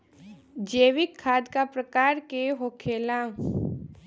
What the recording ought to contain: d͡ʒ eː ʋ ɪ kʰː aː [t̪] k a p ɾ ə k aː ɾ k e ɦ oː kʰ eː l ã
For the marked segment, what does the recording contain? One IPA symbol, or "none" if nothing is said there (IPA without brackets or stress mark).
d̪